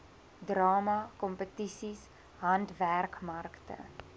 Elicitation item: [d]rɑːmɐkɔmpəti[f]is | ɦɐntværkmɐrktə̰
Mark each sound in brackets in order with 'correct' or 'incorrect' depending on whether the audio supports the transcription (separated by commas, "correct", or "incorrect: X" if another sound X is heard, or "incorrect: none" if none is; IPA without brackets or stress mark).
correct, incorrect: s